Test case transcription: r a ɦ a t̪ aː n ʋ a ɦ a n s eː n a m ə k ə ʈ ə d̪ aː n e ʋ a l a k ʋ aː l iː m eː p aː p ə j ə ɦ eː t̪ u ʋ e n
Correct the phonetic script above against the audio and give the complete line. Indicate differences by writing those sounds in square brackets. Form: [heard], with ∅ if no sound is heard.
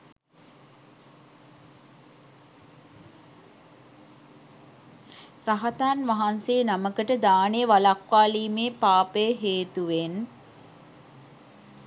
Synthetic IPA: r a ɦ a t̪ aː n ʋ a ɦ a n s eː n a m ə k ə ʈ ə d̪ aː n e ʋ a l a k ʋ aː l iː m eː p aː p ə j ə ɦ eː t̪ u ʋ e n